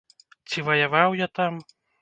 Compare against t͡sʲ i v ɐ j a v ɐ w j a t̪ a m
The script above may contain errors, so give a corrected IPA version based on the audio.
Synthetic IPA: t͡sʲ i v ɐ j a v a w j a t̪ a m